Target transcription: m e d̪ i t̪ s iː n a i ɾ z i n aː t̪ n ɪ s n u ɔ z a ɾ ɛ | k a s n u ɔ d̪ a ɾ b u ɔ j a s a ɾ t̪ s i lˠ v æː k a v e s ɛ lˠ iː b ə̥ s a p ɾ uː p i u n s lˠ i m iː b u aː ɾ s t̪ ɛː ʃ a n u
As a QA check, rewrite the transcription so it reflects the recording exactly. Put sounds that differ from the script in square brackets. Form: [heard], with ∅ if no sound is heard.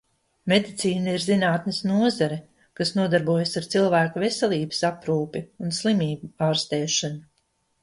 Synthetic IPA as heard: m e d̪ i t̪ s iː n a i ɾ z i n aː t̪ n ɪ s n u ɔ z a ɾ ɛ | k a s n u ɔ d̪ a ɾ b u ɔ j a s a ɾ t̪ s i lˠ v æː k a v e s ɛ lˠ iː b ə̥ s a p ɾ uː p i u n s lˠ i m iː b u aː ɾ s t̪ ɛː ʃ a n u